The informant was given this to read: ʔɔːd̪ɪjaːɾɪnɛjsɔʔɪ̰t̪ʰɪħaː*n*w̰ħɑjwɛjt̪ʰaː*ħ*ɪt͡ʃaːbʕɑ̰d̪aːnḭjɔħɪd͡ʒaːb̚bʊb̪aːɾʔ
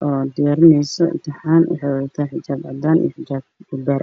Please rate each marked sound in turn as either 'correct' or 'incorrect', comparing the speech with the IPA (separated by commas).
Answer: correct, correct